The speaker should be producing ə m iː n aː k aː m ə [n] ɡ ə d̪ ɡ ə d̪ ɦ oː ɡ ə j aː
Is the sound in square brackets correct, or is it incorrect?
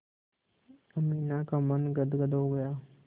correct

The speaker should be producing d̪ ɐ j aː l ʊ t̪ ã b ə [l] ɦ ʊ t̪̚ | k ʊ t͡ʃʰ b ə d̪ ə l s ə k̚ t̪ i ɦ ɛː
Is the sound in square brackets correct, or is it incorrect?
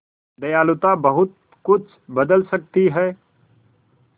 incorrect: none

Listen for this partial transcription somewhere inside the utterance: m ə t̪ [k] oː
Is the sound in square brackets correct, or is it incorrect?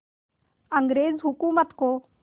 correct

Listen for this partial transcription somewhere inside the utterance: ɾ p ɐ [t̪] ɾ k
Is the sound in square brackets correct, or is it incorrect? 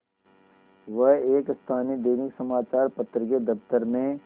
correct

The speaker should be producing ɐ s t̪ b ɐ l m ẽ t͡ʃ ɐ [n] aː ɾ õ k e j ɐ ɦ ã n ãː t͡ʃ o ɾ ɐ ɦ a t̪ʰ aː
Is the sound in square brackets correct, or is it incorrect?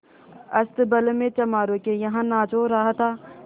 incorrect: m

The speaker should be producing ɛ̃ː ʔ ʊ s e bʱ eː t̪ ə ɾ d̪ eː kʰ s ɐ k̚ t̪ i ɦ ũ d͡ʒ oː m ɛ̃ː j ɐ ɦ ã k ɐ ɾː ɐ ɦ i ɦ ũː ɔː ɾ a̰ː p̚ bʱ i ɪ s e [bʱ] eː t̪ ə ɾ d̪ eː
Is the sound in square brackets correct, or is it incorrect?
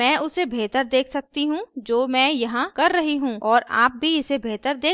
correct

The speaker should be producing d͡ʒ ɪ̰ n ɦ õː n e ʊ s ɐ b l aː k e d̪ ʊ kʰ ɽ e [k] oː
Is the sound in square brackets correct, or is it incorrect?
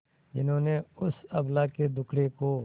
correct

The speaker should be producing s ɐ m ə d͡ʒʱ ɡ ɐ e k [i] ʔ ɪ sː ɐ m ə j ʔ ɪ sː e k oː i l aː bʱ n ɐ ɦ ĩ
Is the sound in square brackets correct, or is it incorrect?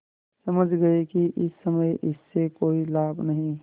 correct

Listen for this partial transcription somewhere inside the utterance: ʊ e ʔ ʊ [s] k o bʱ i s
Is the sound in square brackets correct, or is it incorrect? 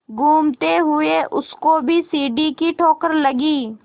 correct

